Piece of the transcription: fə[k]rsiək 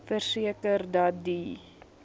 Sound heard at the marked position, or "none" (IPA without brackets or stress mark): none